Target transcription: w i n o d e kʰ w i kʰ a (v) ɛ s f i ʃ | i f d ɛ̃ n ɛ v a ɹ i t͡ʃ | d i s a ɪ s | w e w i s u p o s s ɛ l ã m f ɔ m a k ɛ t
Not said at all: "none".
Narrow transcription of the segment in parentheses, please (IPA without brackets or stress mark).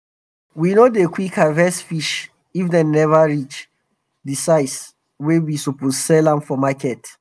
v